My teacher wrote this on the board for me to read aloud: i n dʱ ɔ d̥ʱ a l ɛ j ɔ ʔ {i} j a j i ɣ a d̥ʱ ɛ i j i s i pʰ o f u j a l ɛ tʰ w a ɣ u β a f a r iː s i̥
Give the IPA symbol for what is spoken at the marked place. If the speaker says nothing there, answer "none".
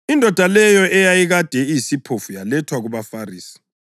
ɛ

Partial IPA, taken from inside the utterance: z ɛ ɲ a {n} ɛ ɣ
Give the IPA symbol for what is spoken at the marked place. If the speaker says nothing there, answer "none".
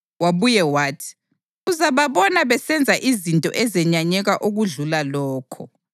ɲ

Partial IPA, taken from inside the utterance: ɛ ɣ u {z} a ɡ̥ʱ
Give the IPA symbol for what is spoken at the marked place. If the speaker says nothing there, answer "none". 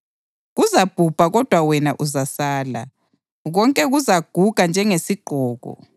z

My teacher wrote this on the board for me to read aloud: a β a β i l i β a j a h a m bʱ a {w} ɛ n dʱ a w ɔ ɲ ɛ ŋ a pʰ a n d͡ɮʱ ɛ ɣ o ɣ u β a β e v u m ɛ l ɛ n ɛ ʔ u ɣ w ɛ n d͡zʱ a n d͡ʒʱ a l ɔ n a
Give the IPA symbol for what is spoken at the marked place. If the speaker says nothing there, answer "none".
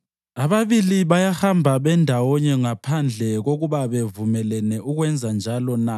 β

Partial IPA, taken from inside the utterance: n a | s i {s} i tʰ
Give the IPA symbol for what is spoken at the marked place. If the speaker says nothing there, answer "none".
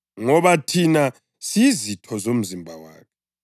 z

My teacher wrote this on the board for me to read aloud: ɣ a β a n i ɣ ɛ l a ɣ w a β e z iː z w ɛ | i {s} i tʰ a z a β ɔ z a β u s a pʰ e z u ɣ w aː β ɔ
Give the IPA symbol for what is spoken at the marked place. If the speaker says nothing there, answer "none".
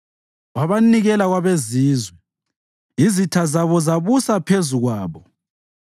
z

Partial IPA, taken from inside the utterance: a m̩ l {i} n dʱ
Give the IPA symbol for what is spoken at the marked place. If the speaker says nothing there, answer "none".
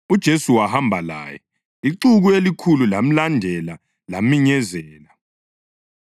a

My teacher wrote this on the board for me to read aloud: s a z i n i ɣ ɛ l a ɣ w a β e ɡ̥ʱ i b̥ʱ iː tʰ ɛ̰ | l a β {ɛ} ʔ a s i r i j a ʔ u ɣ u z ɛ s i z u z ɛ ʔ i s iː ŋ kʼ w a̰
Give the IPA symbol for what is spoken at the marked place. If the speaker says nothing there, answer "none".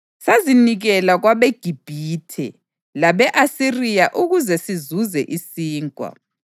ɛ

